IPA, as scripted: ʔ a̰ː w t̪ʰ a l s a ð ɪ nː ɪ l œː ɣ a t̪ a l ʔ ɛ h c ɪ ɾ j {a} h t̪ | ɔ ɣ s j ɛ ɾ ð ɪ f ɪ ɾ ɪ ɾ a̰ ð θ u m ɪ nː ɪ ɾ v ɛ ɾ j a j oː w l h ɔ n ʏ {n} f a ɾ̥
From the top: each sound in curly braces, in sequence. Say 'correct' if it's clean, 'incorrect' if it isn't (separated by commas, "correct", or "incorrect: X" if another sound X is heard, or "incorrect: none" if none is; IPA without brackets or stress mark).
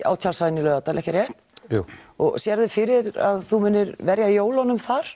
incorrect: ɛ, incorrect: m